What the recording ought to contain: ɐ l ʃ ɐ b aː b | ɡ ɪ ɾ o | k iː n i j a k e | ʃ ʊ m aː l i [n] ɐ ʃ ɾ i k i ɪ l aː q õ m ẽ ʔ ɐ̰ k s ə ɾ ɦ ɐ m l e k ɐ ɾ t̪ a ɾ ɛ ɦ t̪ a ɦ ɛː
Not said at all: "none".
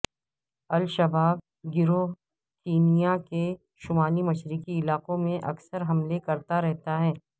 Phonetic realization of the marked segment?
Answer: m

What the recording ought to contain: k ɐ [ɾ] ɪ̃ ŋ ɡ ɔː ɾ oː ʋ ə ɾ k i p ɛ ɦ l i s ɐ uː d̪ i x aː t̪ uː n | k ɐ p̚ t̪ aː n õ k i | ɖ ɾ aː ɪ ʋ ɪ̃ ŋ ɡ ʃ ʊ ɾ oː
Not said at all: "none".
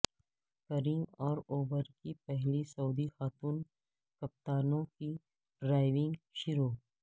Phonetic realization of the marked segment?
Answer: ɾ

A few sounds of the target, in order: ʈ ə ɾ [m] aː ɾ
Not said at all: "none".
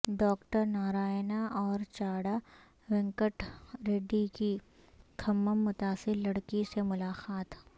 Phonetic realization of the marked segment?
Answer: n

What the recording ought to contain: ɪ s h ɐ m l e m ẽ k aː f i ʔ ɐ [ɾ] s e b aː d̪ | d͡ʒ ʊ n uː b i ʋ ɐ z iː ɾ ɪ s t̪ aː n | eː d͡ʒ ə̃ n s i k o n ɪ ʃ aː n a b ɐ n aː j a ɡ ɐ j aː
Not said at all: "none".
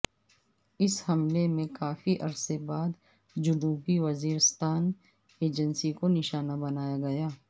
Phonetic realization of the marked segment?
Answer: ɾ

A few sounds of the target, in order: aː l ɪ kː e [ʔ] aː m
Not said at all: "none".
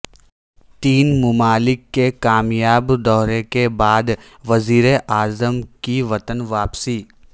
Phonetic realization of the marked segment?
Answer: k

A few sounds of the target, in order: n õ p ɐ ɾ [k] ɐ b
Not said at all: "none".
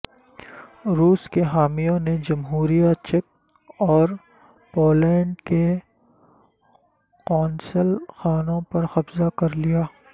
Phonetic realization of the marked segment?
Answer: x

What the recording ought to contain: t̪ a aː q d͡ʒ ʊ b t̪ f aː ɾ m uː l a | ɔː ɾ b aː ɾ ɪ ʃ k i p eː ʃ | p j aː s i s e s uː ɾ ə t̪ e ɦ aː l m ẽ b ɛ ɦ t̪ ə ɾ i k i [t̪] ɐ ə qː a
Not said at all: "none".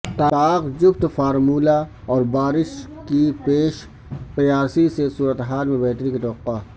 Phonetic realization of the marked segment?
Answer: t̪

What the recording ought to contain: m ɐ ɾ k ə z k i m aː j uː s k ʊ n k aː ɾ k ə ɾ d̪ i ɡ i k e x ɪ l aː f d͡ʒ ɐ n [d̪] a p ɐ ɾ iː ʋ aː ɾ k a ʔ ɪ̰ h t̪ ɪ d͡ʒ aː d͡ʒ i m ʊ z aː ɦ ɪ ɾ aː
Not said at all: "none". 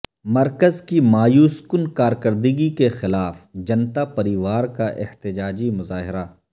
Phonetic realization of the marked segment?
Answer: t̪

